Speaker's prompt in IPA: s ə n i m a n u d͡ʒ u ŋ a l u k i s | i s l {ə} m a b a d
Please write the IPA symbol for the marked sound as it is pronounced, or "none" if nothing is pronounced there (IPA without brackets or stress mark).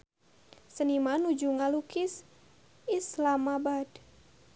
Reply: a